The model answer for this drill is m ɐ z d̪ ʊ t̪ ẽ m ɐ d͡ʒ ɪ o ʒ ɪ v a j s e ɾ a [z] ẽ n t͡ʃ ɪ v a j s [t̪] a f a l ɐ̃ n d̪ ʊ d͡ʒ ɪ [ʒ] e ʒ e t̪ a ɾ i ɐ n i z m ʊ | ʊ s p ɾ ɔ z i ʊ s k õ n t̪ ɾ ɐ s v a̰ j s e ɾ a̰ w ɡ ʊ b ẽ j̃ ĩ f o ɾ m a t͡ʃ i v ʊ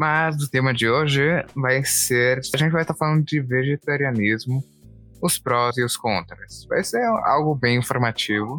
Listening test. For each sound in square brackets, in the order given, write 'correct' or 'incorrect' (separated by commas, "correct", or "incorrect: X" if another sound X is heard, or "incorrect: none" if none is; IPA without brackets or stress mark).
incorrect: ʒ, correct, incorrect: v